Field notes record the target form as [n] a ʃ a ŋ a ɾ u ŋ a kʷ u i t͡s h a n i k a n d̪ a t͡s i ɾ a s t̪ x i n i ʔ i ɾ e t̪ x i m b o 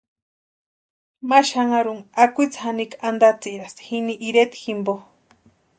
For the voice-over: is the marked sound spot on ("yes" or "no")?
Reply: no